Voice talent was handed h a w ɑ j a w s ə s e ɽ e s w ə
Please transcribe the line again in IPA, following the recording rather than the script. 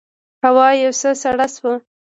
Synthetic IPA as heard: h a w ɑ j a w s ə s a ɽ a s w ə